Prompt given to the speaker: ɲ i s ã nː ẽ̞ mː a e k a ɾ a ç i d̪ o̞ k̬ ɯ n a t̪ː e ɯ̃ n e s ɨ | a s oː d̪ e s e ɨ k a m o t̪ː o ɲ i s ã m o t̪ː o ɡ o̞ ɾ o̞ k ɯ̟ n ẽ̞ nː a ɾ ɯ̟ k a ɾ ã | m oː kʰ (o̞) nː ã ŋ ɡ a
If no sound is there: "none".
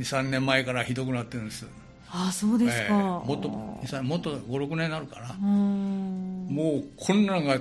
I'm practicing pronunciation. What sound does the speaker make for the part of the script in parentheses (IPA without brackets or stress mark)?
õ̞